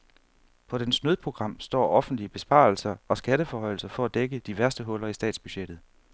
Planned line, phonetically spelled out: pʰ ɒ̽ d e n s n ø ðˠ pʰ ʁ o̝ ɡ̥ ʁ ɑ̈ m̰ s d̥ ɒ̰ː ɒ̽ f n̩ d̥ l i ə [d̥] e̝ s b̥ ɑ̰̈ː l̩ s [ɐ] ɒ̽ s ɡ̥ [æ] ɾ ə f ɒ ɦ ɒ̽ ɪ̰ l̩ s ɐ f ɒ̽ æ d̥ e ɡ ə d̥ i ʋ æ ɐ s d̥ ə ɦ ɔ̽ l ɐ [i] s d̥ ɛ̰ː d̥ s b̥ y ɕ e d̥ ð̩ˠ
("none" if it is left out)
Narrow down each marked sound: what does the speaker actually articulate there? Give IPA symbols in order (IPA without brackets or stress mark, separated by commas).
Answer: b̥, ɐ, æ, i